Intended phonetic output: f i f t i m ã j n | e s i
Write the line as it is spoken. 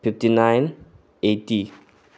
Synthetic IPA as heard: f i f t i n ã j n | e t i

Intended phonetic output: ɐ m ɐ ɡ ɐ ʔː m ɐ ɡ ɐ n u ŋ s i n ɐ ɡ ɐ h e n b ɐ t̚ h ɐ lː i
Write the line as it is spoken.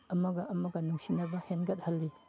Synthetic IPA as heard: ɐ m ɐ ɡ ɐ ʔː m ɐ ɡ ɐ n u ŋ s i n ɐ b ɐ h e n ɡ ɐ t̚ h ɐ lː i

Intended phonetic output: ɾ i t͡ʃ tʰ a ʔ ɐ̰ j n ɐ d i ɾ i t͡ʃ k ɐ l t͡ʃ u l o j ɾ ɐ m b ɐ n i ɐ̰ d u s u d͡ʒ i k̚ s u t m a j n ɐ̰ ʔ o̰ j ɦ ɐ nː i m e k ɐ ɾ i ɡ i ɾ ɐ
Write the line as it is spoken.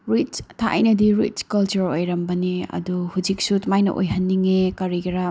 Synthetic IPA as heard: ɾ i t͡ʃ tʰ a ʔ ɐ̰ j n ɐ d i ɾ i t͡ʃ k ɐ l t͡ʃ u ɾ o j ɾ ɐ m b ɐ n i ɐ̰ d u h u d͡ʒ i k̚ s u t m a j n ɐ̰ ʔ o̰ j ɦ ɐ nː i ŋ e k ɐ ɾ i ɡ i ɾ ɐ

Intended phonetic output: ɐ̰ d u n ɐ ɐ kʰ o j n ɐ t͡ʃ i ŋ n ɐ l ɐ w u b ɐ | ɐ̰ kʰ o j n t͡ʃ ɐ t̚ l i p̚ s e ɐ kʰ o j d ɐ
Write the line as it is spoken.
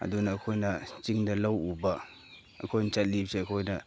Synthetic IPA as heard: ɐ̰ d u n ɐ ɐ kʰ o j n ɐ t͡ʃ i ŋ d ɐ l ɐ w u b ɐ | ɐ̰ kʰ o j n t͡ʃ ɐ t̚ l i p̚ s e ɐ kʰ o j n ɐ

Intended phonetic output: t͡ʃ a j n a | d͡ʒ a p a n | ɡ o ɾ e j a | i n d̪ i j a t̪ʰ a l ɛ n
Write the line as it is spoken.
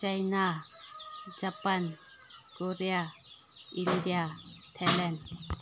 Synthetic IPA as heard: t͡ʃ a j n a | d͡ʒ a p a n | k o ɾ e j a | i n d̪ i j a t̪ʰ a l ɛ n

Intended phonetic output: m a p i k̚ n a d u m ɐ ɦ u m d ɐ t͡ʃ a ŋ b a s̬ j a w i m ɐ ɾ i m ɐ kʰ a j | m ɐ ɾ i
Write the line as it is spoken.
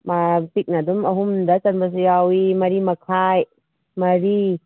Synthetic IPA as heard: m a p i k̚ n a d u m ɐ ɦ u m d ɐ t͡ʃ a n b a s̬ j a w i m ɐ ɾ i m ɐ kʰ a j | m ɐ ɾ i

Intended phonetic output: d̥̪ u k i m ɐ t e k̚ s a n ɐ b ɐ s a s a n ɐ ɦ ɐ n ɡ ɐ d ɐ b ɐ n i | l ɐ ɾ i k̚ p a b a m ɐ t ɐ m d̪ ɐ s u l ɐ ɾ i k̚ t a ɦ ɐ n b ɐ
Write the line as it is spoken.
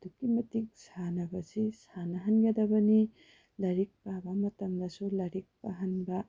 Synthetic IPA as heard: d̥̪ u k i m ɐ t i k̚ s a n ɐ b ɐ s i s a n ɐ ɦ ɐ n ɡ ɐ d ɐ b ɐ n i | l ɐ ɾ i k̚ p a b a m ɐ t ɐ m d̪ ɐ s u l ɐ ɾ i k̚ p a ɦ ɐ n b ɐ

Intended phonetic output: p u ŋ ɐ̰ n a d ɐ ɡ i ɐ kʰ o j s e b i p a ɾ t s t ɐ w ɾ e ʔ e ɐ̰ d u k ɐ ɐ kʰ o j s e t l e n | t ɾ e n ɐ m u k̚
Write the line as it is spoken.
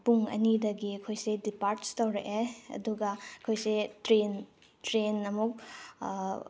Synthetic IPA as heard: p u ŋ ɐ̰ n i d ɐ ɡ i ɐ kʰ o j s e d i p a ɾ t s t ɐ w ɾ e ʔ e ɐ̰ d u ɡ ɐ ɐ kʰ o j s e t ɾ e n | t ɾ e n ɐ m u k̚

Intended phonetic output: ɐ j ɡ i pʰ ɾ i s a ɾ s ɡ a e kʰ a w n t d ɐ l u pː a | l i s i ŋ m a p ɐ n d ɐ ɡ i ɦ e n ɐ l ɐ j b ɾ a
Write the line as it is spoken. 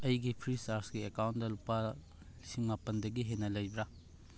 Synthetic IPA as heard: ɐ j ɡ i pʰ ɾ i s a ɾ s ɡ i e k a w n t d ɐ l u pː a | l i s i ŋ m a p ɐ n d ɐ ɡ i ɦ e n ɐ l ɐ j b ɾ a

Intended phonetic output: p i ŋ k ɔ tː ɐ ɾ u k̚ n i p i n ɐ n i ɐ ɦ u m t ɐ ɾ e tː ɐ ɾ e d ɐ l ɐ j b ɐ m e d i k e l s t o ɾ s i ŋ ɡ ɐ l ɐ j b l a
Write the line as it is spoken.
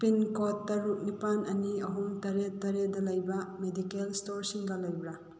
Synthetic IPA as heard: p i n k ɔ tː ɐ ɾ u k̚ n i p a n ɐ n i ɐ ɦ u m t ɐ ɾ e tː ɐ ɾ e d ɐ l ɐ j b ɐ m e d i k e l s t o ɾ s i ŋ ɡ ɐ l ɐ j b ɾ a

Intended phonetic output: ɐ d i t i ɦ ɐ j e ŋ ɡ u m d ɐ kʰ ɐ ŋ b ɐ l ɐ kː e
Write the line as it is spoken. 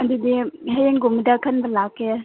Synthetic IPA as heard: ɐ d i d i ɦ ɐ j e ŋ ɡ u m d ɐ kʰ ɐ n b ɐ l a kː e

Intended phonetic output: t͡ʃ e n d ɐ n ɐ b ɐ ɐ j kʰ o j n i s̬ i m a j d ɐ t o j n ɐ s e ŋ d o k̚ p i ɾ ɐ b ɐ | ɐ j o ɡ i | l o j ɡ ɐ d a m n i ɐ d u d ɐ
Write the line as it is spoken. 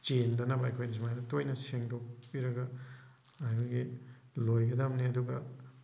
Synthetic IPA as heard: t͡ʃ e n d ɐ n ɐ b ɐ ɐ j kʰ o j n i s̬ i m a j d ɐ t o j n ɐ s e ŋ d o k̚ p i ɾ ɐ ɡ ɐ | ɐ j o ɡ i | l o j ɡ ɐ d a m n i ɐ d u ɡ ɐ

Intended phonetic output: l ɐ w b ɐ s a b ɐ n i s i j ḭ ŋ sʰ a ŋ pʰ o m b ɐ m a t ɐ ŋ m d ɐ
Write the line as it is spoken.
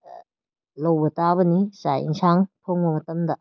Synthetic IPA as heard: l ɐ w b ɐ t a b ɐ n i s a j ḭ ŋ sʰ a ŋ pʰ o ŋ b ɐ m ɐ t ɐ m d ɐ

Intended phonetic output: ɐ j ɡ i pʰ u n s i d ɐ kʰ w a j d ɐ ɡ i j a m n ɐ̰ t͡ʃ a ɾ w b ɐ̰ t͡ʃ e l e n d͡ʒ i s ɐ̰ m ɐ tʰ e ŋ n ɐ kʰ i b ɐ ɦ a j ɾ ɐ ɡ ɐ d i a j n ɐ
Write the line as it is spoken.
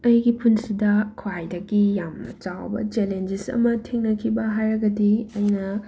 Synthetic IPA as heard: ɐ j ɡ i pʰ u n s i d ɐ kʰ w a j d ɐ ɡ i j a m n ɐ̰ t͡ʃ a w b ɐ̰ t͡ʃ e l e n d͡ʒ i s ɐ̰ m ɐ tʰ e ŋ n ɐ kʰ i b ɐ ɦ a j ɾ ɐ ɡ ɐ d i ɐ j n ɐ

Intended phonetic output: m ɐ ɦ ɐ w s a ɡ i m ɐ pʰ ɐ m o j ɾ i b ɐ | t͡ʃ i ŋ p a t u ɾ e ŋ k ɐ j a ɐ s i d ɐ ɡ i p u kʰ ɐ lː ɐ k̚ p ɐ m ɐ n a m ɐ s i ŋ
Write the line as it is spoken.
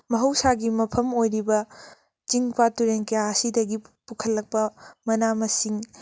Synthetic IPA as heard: m ɐ ɦ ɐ w s a ɡ i m ɐ pʰ ɐ m o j ɾ i b ɐ | t͡ʃ i ŋ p a t u ɾ e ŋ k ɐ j a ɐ s i d ɐ ɡ i p u kʰ ɐ lː ɐ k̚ p ɐ m ɐ n a m ɐ s i ŋ

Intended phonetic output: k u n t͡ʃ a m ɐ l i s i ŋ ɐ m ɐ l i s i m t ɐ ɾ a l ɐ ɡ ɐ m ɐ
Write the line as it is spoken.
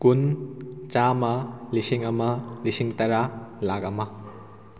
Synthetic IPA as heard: k u n t͡ʃ a m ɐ l i s i ŋ ɐ m ɐ l i s i ŋ t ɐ ɾ a l a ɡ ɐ m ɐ

